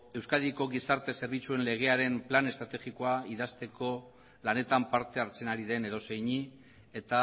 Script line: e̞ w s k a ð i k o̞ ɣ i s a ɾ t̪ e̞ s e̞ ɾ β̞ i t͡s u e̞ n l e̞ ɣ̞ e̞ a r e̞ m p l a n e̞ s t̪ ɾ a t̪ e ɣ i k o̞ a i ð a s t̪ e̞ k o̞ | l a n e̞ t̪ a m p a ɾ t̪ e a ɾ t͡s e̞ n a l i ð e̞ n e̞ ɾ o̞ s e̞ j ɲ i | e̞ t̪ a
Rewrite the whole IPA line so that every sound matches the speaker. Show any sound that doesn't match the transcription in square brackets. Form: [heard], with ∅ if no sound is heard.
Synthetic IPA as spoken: e̞ w s k a ð i k o̞ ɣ i s a ɾ t̪ e̞ s e̞ ɾ β̞ i t͡s u e̞ n l e̞ ɣ̞ e̞ a [ɾ] e̞ m p l a n e̞ s t̪ ɾ a t̪ e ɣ i k o̞ a i ð a s t̪ e̞ k o̞ | l a n e̞ t̪ a m p a ɾ t̪ e a ɾ t͡s e̞ n a [ɾ] i ð e̞ n e̞ ɾ o̞ s e̞ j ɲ i | e̞ t̪ a

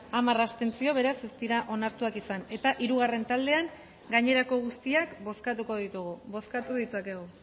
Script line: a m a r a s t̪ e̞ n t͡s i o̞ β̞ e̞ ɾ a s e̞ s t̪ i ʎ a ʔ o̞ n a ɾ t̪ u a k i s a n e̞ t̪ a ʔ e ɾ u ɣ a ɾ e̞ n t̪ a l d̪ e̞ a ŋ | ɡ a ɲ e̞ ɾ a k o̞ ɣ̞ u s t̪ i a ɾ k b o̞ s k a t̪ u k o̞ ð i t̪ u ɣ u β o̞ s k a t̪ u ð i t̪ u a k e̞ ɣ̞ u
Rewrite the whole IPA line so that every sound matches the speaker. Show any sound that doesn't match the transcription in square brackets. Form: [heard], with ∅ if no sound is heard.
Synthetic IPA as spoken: a m a r a s t̪ e̞ n t͡s i o̞ β̞ e̞ ɾ a s e̞ s t̪ i [ɾ] a ʔ o̞ n a ɾ t̪ u a k i s a n e̞ t̪ a ʔ [i] ɾ u ɣ a [r] e̞ n t̪ a l d̪ e̞ a ŋ | ɡ a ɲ e̞ ɾ a k o̞ ɣ̞ u s t̪ i a [∅] k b o̞ s k a t̪ u k o̞ ð i t̪ u ɣ u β o̞ s k a t̪ u ð i t̪ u a k e̞ ɣ̞ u

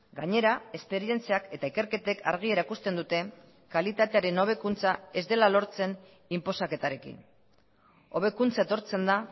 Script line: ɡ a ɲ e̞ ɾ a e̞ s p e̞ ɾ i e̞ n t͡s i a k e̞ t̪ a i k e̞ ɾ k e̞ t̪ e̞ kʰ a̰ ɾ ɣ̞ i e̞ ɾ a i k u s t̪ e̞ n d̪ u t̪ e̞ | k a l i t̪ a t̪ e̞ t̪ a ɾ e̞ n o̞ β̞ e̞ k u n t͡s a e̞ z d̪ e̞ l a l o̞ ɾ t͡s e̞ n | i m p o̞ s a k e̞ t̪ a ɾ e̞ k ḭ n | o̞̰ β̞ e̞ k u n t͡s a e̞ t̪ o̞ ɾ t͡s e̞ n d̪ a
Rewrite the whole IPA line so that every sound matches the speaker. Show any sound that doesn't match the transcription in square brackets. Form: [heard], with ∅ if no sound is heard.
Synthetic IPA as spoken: ɡ a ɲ e̞ ɾ a e̞ s p e̞ ɾ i e̞ n t͡s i a k e̞ t̪ a i k e̞ ɾ k e̞ t̪ e̞ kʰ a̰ ɾ ɣ̞ i e̞ ɾ a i k u s t̪ e̞ n d̪ u t̪ e̞ | k a l i t̪ a t̪ e̞ [∅] a ɾ e̞ n o̞ β̞ e̞ k u n t͡s a e̞ z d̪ e̞ l a l o̞ ɾ t͡s e̞ n | i m p o̞ s a k e̞ t̪ a ɾ e̞ k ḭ n | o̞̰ β̞ e̞ k u n t͡s a e̞ t̪ o̞ ɾ t͡s e̞ n d̪ a

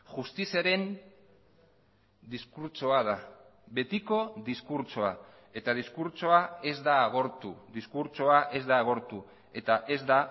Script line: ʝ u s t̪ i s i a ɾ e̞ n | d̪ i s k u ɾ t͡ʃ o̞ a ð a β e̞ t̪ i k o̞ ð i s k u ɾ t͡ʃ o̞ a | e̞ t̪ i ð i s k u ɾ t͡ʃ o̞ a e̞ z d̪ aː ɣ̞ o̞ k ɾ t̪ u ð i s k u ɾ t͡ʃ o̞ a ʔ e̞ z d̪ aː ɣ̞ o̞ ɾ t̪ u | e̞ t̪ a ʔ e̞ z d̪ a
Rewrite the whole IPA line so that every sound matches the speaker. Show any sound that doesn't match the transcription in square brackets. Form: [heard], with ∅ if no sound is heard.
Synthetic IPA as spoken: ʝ u s t̪ i s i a ɾ e̞ n | d̪ i s k u ɾ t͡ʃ o̞ a ð a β e̞ t̪ i k o̞ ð i s k u ɾ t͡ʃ o̞ a | e̞ t̪ [a] ð i s k u ɾ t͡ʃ o̞ a e̞ z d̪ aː ɣ̞ o̞ [∅] ɾ t̪ u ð i s k u ɾ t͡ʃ o̞ a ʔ e̞ z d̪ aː ɣ̞ o̞ ɾ t̪ u | e̞ t̪ a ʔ e̞ z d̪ a

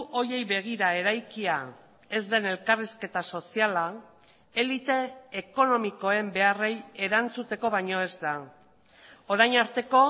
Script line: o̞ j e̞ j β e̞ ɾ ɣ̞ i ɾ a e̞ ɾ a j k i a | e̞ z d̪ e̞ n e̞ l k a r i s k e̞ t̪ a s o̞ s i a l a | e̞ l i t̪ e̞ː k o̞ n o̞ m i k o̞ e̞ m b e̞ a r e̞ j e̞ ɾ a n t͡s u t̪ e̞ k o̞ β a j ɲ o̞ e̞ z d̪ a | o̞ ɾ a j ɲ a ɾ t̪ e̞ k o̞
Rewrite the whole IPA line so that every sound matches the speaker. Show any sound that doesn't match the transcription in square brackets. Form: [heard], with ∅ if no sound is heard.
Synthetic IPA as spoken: o̞ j e̞ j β e̞ [∅] ɣ̞ i ɾ a e̞ ɾ a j k i a | e̞ z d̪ e̞ n e̞ l k a r i s k e̞ t̪ a s o̞ s i a l a | e̞ l i t̪ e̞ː k o̞ n o̞ m i k o̞ e̞ m b e̞ a r e̞ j e̞ ɾ a n t͡s u t̪ e̞ k o̞ β a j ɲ o̞ e̞ z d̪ a | o̞ ɾ a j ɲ a ɾ t̪ e̞ k o̞

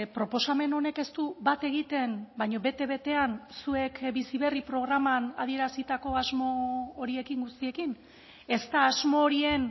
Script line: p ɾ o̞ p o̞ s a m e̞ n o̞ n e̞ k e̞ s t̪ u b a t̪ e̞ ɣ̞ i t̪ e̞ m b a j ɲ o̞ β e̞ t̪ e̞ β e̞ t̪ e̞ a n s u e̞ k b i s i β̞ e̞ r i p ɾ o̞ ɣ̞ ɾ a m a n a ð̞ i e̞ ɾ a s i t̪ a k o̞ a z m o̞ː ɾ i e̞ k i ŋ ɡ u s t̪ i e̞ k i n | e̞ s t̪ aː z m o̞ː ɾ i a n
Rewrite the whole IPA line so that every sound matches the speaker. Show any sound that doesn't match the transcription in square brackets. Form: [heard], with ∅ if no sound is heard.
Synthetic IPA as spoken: p ɾ o̞ p o̞ s a m e̞ n o̞ n e̞ k e̞ s t̪ u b a t̪ e̞ ɣ̞ i t̪ e̞ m b a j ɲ o̞ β e̞ t̪ e̞ β e̞ t̪ e̞ a n s u e̞ k b i s i β̞ e̞ r i p ɾ o̞ ɣ̞ ɾ a m a n a ð̞ i e̞ ɾ a s i t̪ a k o̞ a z m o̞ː ɾ i e̞ k i ŋ ɡ u s t̪ i e̞ k i n | e̞ s t̪ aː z m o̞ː ɾ i [e] n

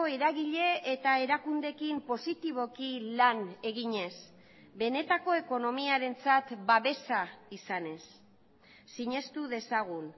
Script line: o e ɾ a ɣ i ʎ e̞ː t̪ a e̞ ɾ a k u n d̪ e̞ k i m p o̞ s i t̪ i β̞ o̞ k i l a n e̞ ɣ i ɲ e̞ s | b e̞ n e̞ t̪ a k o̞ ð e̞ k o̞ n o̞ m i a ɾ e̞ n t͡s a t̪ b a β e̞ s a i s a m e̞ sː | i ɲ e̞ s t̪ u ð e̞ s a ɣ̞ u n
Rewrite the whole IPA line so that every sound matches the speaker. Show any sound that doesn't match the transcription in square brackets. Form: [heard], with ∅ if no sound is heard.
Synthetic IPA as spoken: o e ɾ a ɣ i ʎ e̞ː t̪ a e̞ ɾ a k u n d̪ e̞ k i m p o̞ s i t̪ i β̞ o̞ k i l a n e̞ ɣ i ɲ e̞ s | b e̞ n e̞ t̪ a k o̞ [∅] e̞ k o̞ n o̞ m i a ɾ e̞ n t͡s a t̪ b a β e̞ s a i s a [n] e̞ sː | i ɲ e̞ s t̪ u ð e̞ s a ɣ̞ u n

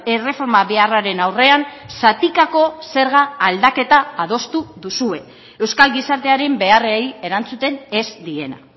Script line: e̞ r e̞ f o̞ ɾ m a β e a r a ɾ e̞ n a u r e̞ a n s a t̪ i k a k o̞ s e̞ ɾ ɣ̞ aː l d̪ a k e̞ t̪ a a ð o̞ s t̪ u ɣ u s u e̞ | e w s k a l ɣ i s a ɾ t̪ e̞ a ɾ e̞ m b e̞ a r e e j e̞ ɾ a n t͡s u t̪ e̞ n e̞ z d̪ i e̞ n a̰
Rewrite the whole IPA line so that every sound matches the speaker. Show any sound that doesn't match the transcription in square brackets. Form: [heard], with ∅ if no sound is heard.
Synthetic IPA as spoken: e̞ r e̞ f o̞ ɾ m a β e a r a ɾ e̞ n a [w] r e̞ a n s a t̪ i k a k o̞ s e̞ ɾ ɣ̞ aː l d̪ a k e̞ t̪ a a ð o̞ s t̪ u [ð] u s u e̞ | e w s k a l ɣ i s a ɾ t̪ e̞ a ɾ e̞ m b e̞ a r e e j e̞ ɾ a n t͡s u t̪ e̞ n e̞ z d̪ i e̞ n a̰

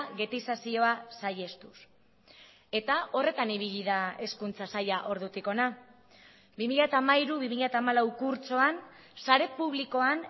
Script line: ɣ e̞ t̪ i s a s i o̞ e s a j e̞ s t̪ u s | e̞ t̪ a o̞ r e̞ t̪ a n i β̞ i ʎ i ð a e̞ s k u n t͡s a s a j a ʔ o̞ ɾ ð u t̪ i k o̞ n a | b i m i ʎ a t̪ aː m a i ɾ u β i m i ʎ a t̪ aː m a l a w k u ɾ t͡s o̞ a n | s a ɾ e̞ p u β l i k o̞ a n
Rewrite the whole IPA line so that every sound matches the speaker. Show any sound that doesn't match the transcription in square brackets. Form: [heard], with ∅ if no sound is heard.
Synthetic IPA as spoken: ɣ e̞ t̪ i s a s i o̞ [a] s a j e̞ s t̪ u s | e̞ t̪ a o̞ r e̞ t̪ a n i β̞ i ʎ i ð a e̞ s k u n t͡s a s a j a ʔ o̞ ɾ ð u t̪ i k o̞ n a | b i m i ʎ a t̪ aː m a i ɾ u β i m i ʎ a t̪ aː m a l a w k u ɾ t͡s o̞ a n | s a ɾ e̞ p u β l i k o̞ a n

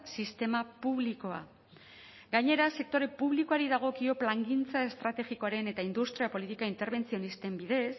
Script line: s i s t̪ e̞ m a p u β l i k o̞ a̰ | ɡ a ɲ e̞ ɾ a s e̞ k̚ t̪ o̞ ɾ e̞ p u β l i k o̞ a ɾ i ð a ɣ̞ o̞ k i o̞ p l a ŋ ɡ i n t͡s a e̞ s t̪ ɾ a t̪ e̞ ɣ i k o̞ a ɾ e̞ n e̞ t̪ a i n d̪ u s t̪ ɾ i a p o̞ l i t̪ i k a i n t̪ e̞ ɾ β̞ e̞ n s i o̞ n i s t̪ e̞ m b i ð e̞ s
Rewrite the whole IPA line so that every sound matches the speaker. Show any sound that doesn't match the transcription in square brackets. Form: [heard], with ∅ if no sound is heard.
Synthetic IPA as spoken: s i s t̪ e̞ m a p u β l i k o̞ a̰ | ɡ a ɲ e̞ ɾ a s e̞ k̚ t̪ o̞ ɾ e̞ p u β l i k o̞ a ɾ i ð a ɣ̞ o̞ k i o̞ p l a ŋ ɡ i n t͡s a e̞ s t̪ ɾ a t̪ e̞ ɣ i k o̞ a ɾ e̞ n e̞ t̪ a i n d̪ u s t̪ ɾ i a p o̞ l i t̪ i k a i n t̪ e̞ ɾ β̞ e̞ n [t͡s] i o̞ n i s t̪ e̞ m b i ð e̞ s

